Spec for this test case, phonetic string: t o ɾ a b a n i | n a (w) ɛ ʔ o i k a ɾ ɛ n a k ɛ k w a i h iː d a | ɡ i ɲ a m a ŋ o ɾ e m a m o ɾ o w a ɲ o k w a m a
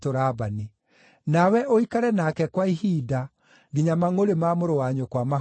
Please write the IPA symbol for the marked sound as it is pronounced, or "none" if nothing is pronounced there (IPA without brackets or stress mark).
w